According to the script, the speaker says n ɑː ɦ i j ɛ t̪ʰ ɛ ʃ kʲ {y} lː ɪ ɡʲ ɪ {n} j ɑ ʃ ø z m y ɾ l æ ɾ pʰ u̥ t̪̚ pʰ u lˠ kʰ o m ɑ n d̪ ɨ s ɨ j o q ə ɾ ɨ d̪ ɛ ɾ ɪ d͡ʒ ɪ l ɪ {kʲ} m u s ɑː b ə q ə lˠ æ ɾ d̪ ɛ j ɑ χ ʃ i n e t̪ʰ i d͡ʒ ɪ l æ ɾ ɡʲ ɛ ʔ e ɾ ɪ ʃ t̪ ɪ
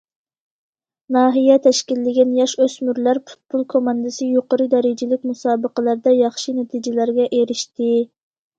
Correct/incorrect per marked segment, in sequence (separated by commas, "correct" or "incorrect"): incorrect, correct, correct